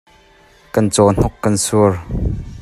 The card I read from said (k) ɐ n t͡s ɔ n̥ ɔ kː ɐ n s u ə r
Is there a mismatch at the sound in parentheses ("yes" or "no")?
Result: no